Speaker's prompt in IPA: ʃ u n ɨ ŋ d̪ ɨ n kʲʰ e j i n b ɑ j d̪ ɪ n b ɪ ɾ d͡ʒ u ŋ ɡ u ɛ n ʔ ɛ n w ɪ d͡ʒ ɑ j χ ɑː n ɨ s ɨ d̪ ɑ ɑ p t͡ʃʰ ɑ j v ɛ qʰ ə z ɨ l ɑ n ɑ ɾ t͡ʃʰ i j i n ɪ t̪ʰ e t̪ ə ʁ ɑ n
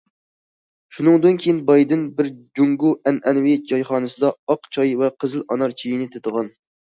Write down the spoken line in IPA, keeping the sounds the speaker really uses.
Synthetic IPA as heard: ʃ u n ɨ ŋ d̪ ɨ n kʲʰ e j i n b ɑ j d̪ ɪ n b ɪ ɾ d͡ʒ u ŋ ɡ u ɛ n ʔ ɛ n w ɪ d͡ʒ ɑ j χ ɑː n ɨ s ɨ d̪ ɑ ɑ q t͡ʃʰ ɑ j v ɛ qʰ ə z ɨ l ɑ n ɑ ɾ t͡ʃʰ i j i n ɪ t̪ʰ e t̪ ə ʁ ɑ n